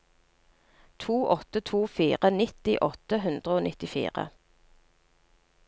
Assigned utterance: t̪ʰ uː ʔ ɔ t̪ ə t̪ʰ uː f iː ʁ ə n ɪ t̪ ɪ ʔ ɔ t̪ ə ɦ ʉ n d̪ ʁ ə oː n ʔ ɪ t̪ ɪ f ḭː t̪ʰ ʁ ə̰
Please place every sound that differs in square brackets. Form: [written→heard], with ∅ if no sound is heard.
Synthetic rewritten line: t̪ʰ uː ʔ ɔ t̪ ə t̪ʰ uː f iː ʁ ə n ɪ t̪ ɪ ʔ ɔ t̪ ə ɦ ʉ n d̪ ʁ ə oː n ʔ ɪ t̪ ɪ f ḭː [t̪ʰ→∅] ʁ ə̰

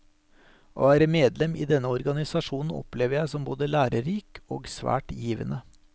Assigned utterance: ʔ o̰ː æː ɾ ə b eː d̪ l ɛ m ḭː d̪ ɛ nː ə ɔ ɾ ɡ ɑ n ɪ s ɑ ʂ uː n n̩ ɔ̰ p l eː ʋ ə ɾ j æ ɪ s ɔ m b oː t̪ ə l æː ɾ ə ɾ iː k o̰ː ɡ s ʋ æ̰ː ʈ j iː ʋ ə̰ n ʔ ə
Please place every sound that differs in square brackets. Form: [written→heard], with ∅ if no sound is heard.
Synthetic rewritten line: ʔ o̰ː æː ɾ ə [b→m] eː d̪ l ɛ m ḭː d̪ ɛ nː ə ɔ ɾ ɡ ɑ n ɪ s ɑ ʂ uː n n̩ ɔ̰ p l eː ʋ ə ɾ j æ ɪ s ɔ m b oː [t̪→d̪] ə l æː ɾ ə ɾ iː k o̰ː ɡ s ʋ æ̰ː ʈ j iː ʋ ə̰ n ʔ ə

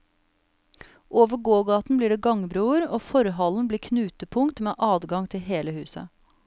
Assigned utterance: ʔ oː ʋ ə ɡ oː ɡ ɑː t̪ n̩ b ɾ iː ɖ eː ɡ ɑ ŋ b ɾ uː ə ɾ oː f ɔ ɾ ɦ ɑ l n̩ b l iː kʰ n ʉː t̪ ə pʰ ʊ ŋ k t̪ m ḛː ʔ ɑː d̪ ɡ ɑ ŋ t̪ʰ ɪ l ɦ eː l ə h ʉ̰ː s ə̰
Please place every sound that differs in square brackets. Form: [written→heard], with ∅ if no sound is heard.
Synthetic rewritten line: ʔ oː ʋ ə ɡ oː ɡ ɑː t̪ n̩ b [ɾ→l] iː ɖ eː ɡ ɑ ŋ b ɾ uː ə ɾ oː f ɔ ɾ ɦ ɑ l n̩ b l iː kʰ n ʉː t̪ ə pʰ ʊ ŋ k t̪ m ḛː ʔ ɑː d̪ ɡ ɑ ŋ t̪ʰ ɪ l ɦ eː l ə h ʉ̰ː s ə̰

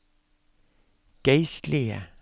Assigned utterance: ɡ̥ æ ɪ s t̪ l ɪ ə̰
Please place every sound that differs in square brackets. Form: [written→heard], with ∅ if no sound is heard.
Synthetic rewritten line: ɡ̥ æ ɪ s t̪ l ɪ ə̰

